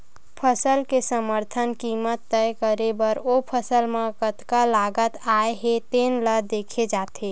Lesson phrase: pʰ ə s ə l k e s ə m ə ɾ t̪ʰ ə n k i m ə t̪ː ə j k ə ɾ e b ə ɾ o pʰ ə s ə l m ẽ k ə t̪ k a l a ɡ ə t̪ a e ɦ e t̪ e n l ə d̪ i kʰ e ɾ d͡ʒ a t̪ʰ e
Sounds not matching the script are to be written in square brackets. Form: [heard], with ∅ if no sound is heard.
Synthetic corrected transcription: pʰ ə s ə l k e s ə m ə ɾ t̪ʰ ə n k i m ə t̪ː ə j k ə ɾ e b ə ɾ o pʰ ə s ə l m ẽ k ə t̪ k a l a ɡ ə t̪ a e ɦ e t̪ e n l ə d̪ [e] kʰ e [∅] d͡ʒ a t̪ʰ e